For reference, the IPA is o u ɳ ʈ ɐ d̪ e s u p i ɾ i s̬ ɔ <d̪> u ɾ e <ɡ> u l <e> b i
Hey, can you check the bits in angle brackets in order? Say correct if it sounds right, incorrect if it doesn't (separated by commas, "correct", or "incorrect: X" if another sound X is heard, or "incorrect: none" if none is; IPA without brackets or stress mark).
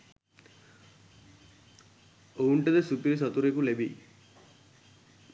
incorrect: t̪, incorrect: k, correct